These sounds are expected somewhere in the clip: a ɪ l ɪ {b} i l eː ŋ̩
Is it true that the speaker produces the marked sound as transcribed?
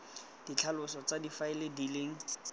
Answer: no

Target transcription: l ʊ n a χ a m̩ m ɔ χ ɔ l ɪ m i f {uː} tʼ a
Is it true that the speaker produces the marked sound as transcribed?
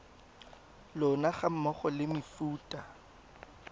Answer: yes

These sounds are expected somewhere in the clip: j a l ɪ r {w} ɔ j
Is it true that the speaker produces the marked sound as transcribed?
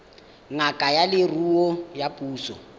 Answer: no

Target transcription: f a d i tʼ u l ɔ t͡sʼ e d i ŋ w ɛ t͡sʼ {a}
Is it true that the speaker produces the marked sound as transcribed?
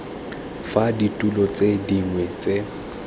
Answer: no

